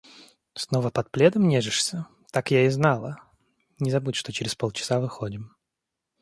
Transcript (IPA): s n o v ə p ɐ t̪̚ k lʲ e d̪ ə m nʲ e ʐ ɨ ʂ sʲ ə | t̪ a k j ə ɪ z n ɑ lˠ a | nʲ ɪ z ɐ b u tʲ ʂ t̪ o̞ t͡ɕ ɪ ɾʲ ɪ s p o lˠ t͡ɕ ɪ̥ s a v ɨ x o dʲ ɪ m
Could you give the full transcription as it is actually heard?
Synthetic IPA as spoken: s n o v ə p ɐ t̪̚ p lʲ e d̪ ə m nʲ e ʐ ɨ ʂ sʲ ə | t̪ a k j a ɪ z n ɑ lˠ ə | nʲ ɪ z ɐ b u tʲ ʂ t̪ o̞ t͡ɕ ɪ ɾʲ ɪ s p o lˠ t͡ɕ ɪ̥ s a v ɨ x o dʲ ɪ m